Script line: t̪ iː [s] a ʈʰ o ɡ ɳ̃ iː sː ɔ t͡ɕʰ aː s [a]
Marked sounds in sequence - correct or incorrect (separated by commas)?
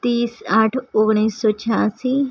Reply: correct, incorrect